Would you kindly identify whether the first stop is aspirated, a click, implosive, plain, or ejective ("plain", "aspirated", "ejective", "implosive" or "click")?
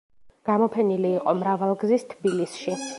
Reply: plain